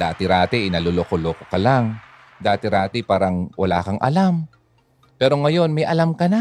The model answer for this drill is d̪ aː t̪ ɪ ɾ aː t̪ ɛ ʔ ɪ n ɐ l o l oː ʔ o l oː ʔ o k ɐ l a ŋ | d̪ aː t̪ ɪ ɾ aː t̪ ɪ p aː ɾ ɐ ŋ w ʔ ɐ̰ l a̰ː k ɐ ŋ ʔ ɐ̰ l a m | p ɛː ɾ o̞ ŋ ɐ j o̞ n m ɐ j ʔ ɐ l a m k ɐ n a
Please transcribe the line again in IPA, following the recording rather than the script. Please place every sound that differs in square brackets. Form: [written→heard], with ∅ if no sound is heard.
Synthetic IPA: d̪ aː t̪ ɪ ɾ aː t̪ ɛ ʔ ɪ n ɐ l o l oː [ʔ→k] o l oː [ʔ→k] o k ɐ l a ŋ | d̪ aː t̪ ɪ ɾ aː t̪ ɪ p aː ɾ ɐ ŋ w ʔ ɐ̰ l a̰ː k ɐ ŋ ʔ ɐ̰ l a m | p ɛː ɾ o̞ ŋ ɐ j o̞ n m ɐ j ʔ ɐ l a m k ɐ n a